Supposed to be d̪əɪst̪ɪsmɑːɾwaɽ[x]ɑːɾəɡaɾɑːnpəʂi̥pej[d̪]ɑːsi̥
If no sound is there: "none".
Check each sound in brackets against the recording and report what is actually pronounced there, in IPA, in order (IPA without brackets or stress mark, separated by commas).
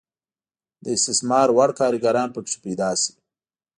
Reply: k, d̪